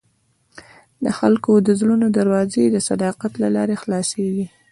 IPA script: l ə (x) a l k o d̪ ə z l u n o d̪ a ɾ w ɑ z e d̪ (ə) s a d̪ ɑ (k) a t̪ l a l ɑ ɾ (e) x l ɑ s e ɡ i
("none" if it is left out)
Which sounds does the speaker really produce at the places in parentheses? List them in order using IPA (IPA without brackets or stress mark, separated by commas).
x, ə, q, e